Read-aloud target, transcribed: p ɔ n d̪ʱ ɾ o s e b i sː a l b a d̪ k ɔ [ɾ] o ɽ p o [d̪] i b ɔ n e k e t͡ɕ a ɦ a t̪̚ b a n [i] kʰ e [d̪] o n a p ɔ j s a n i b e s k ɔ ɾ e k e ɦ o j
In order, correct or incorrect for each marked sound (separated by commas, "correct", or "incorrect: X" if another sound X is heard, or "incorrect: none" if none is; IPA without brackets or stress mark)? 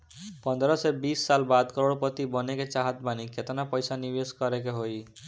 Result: correct, incorrect: t̪, correct, incorrect: t̪